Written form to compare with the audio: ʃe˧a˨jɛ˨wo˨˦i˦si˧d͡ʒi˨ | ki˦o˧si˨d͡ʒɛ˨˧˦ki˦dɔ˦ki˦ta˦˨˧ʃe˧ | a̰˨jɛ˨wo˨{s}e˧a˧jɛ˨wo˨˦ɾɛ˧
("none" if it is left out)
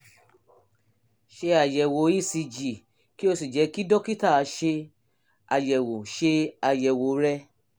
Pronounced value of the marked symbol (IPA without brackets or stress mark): ʃ